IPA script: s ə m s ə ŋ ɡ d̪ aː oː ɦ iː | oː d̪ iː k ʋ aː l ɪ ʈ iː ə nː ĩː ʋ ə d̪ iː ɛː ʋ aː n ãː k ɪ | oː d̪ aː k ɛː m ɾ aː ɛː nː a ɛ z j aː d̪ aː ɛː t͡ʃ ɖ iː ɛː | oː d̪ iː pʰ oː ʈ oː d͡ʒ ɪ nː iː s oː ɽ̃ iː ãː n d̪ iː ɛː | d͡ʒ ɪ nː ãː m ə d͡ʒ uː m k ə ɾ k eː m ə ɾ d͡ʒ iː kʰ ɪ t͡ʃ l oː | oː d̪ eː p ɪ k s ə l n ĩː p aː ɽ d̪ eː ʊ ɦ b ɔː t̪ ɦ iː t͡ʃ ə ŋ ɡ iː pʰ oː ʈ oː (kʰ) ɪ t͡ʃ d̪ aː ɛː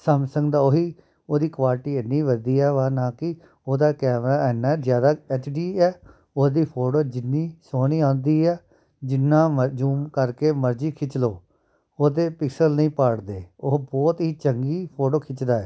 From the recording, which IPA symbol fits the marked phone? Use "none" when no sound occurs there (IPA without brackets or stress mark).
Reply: kʰ